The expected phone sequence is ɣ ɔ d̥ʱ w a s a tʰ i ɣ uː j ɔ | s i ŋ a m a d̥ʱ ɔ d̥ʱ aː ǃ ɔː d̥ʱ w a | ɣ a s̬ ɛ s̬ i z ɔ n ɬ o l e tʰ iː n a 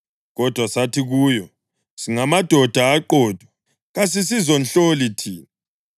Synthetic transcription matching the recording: ɣ ɔ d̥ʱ w a s a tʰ i ɣ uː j ɔ | s i ŋ a m a d̥ʱ ɔ d̥ʱ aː ǃ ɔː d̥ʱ w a | ɣ a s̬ i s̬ i z ɔ n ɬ o l i tʰ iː n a